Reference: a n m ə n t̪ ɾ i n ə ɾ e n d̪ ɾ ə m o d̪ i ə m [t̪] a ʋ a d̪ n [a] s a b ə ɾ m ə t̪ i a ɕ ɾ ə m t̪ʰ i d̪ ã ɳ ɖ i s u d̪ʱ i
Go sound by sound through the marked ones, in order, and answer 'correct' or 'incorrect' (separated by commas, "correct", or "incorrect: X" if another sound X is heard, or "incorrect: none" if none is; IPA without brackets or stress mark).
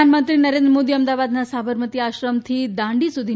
incorrect: d̪, correct